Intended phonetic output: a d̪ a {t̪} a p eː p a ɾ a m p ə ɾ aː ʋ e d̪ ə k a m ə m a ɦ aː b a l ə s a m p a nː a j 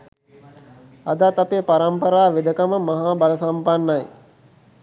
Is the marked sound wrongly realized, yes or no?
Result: no